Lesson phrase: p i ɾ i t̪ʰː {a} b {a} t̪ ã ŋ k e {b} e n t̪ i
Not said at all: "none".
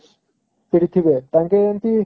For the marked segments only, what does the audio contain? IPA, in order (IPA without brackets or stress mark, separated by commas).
i, e, none